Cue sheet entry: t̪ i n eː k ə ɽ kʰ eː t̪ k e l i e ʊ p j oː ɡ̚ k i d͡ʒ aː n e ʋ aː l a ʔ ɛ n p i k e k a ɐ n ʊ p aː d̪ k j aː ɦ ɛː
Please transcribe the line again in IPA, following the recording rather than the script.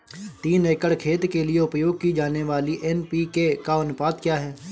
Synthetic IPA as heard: t̪ iː n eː k ə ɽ kʰ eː t̪ k e l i e ʊ p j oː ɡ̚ k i d͡ʒ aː n e ʋ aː l i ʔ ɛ n p i k e k a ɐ n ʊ p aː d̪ k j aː ɦ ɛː